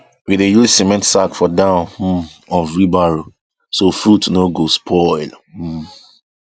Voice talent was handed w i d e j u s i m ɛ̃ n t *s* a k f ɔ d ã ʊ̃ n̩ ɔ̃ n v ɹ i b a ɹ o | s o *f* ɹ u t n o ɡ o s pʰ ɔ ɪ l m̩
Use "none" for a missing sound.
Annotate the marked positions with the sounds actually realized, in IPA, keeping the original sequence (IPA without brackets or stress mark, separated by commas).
s, f